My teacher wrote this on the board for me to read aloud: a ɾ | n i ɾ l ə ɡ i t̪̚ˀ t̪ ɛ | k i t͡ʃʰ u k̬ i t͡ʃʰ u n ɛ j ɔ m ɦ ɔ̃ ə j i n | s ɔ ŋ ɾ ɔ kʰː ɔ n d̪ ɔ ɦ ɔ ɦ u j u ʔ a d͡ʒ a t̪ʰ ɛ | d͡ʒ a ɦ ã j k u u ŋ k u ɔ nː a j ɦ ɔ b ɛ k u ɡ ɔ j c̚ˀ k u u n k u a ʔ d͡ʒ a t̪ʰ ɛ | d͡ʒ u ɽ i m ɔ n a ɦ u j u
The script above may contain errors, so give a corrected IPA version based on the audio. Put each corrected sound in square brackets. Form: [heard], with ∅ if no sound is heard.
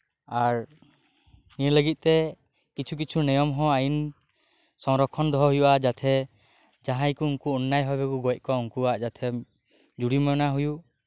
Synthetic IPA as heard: a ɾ | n i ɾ l ə ɡ i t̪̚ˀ t̪ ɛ | k i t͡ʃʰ u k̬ i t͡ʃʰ u n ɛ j ɔ m ɦ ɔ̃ [a] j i n | s ɔ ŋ ɾ ɔ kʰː ɔ n d̪ ɔ ɦ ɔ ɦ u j u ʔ a d͡ʒ a t̪ʰ ɛ | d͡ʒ a ɦ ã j k u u ŋ k u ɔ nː a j ɦ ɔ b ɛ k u ɡ ɔ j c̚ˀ k [ɔ] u [ŋ] k u a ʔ d͡ʒ a t̪ʰ ɛ | d͡ʒ u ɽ i m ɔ n a ɦ u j u

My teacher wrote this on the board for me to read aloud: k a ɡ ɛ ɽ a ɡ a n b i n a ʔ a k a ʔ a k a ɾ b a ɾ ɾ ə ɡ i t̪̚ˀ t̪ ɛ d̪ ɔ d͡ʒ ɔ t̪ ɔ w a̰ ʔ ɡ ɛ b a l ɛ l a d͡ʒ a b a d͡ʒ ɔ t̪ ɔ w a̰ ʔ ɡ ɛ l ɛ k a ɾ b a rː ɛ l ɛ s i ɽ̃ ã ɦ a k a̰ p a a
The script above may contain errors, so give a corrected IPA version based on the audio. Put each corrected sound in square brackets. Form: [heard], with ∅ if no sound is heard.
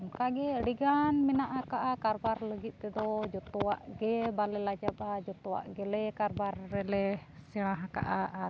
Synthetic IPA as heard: k a ɡ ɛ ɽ [i] ɡ a n [m] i n a ʔ a k a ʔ a k a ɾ b a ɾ [l] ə ɡ i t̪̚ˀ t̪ ɛ d̪ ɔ d͡ʒ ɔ t̪ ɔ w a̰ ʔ ɡ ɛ b a l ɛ l a d͡ʒ a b a d͡ʒ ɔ t̪ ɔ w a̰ ʔ ɡ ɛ l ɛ k a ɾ b a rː ɛ l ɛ s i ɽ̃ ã ɦ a k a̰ [ʔ] a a

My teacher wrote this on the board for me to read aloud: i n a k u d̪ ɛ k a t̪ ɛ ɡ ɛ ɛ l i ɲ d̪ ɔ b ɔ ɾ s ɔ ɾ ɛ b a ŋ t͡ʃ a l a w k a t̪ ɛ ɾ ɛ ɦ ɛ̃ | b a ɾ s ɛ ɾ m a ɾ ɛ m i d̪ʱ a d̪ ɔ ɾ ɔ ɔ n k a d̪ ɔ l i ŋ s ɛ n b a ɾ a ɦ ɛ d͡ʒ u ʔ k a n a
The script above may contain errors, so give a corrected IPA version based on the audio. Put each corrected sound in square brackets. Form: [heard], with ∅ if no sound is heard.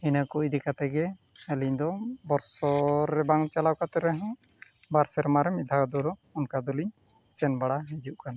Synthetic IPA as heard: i n a k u d̪ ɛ k a t̪ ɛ ɡ ɛ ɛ l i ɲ d̪ ɔ b ɔ ɾ s ɔ ɾ ɛ b a ŋ t͡ʃ a l a w k a t̪ ɛ ɾ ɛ ɦ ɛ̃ | b a ɾ s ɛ ɾ m a ɾ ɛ m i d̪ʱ a d̪ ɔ ɾ ɔ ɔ n k a d̪ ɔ l i [ɲ] s ɛ n b a [ɽ] a ɦ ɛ d͡ʒ u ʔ k a n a

